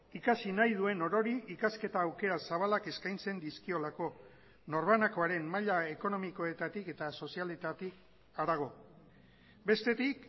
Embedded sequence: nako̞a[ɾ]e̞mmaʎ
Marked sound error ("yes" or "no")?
no